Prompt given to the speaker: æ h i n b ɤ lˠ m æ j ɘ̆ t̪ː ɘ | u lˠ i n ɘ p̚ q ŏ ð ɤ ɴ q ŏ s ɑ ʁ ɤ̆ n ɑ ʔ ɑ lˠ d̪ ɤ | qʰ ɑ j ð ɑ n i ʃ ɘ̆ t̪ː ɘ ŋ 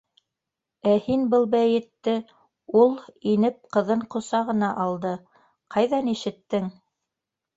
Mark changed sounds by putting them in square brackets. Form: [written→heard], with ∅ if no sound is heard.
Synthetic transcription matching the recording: æ h i n b ɤ lˠ [m→b] æ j ɘ̆ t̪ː ɘ | u lˠ i n ɘ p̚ q [ŏ→ɤ̆] ð ɤ ɴ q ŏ s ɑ ʁ ɤ̆ n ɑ ʔ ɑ lˠ d̪ ɤ | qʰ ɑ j ð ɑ n i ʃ ɘ̆ t̪ː ɘ ŋ

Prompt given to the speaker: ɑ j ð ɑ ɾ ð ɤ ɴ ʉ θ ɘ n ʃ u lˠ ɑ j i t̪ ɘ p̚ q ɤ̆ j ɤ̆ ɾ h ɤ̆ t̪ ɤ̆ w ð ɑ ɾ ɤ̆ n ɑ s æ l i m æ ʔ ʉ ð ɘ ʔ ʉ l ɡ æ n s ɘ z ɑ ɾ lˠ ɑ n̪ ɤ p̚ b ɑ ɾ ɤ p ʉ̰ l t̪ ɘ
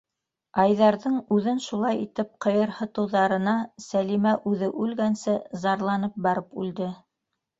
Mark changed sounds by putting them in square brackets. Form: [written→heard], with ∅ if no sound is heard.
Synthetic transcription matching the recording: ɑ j ð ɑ ɾ ð ɤ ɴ ʉ [θ→ð] ɘ n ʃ u lˠ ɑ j i t̪ ɘ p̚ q ɤ̆ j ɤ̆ ɾ h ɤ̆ t̪ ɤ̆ w ð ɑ ɾ ɤ̆ n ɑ s æ l i m æ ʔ ʉ ð ɘ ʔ ʉ l ɡ æ n s ɘ z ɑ ɾ lˠ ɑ n̪ ɤ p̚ b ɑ ɾ ɤ p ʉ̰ l [t̪→d̪] ɘ

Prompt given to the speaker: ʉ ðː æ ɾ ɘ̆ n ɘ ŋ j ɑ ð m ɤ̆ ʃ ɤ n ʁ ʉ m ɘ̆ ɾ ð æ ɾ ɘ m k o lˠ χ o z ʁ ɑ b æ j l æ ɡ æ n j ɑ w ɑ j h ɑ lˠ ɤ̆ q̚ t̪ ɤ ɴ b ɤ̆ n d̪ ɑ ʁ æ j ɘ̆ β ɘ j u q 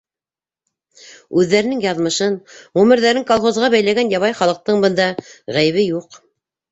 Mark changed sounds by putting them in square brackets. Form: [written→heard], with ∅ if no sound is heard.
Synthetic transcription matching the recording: ʉ ðː æ ɾ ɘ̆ n ɘ ŋ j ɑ ð m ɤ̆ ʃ ɤ n ʁ ʉ m ɘ̆ ɾ ð æ ɾ ɘ [m→ŋ] k o lˠ χ o z ʁ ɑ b æ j l æ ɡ æ n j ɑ [w→β] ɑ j [h→χ] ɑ lˠ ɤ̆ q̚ t̪ ɤ ɴ b ɤ̆ n d̪ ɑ ʁ æ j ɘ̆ β ɘ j u q

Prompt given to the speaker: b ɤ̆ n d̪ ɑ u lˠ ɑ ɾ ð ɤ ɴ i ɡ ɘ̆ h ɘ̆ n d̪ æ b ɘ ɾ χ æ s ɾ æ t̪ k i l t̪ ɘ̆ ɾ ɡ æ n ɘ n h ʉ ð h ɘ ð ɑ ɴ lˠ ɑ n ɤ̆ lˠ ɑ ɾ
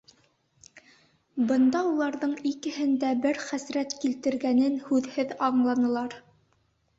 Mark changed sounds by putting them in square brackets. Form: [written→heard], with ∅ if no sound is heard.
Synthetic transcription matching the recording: b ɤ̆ n d̪ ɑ u lˠ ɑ ɾ ð ɤ ɴ i [ɡ→k] ɘ̆ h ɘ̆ n d̪ æ b ɘ ɾ χ æ s ɾ æ t̪ k i l t̪ ɘ̆ ɾ ɡ æ n ɘ n h ʉ ð h ɘ ð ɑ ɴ lˠ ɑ n ɤ̆ lˠ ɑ ɾ

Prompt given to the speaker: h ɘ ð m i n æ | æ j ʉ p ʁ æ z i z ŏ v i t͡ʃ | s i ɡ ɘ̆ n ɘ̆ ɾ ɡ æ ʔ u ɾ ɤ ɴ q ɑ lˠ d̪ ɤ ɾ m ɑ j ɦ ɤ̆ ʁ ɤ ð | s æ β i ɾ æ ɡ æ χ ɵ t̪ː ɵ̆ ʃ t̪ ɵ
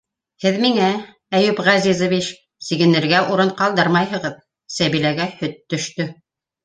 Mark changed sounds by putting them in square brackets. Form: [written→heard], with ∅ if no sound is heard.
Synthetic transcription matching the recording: h ɘ ð m i [n→ŋ] æ | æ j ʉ p ʁ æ z i z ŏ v i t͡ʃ | s i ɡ ɘ̆ n ɘ̆ ɾ ɡ æ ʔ u ɾ ɤ ɴ q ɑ lˠ d̪ ɤ ɾ m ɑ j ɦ ɤ̆ ʁ ɤ ð | s æ β i [ɾ→l] æ ɡ æ [χ→h] ɵ t̪ː ɵ̆ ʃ t̪ ɵ

